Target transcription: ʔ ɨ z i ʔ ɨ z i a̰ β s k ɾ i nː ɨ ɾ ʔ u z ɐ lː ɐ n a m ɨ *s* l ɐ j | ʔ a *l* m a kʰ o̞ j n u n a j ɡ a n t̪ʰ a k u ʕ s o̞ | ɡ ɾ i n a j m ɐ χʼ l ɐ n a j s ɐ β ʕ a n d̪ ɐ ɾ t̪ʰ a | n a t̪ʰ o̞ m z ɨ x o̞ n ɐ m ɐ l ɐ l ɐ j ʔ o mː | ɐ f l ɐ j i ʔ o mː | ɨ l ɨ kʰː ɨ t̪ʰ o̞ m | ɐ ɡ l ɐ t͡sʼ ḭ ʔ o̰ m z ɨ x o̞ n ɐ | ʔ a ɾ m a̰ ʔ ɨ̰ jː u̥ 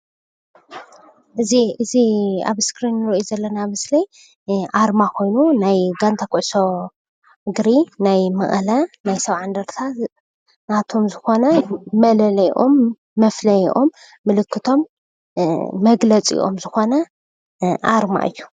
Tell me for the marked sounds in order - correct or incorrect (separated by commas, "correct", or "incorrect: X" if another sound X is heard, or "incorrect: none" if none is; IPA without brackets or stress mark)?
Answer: correct, incorrect: ɾ